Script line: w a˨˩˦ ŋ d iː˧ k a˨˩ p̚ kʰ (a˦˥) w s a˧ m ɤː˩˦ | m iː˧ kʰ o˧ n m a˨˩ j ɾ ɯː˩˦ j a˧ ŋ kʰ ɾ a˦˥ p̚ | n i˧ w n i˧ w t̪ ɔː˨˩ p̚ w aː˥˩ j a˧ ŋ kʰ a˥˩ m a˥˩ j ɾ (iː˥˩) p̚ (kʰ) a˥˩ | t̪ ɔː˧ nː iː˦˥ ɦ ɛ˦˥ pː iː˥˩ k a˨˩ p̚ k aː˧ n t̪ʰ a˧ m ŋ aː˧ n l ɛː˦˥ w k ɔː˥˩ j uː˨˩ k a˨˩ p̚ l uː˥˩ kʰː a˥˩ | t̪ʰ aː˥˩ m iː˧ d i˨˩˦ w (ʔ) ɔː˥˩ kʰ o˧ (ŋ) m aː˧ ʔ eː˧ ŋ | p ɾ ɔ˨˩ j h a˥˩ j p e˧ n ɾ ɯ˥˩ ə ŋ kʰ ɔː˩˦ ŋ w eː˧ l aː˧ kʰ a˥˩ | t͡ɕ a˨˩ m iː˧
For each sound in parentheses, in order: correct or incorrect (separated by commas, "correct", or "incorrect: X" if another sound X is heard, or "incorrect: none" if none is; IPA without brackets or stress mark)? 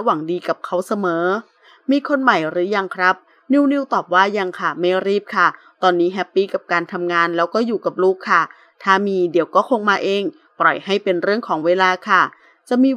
correct, correct, correct, incorrect: k, correct